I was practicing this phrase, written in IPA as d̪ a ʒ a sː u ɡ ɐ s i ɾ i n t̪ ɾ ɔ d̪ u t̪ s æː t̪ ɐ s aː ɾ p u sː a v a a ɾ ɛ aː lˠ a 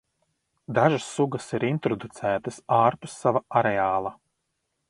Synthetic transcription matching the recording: d̪ a ʒ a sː u ɡ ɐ s i ɾ i n t̪ ɾ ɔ d̪ u t̪ s æː t̪ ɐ s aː ɾ p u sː a v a a ɾ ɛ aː lˠ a